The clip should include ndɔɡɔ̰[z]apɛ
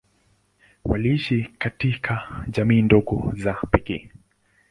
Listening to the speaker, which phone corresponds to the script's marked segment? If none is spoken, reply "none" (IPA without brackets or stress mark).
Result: z